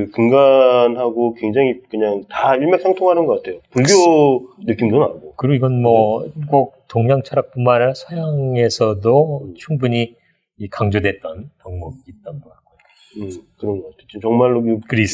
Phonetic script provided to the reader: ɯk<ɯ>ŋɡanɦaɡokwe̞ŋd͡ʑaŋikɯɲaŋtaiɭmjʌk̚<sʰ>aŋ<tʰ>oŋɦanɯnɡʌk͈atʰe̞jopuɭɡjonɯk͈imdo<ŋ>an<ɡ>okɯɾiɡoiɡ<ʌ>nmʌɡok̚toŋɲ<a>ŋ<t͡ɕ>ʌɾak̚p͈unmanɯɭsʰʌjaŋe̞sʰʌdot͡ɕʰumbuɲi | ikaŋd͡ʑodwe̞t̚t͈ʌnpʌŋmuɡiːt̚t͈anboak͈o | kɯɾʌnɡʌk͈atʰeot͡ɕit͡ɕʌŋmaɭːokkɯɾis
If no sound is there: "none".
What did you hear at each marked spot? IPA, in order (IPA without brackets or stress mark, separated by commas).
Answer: ɯ, sʰ, tʰ, n, ɡ, ʌ, a, t͡ɕʰ